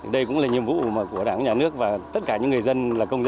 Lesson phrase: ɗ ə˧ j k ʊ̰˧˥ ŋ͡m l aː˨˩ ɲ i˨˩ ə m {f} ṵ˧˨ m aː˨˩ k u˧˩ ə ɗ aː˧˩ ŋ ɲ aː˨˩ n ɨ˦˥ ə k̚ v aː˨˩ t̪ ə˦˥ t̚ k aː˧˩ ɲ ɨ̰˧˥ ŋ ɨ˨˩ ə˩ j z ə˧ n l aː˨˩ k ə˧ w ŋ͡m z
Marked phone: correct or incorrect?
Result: incorrect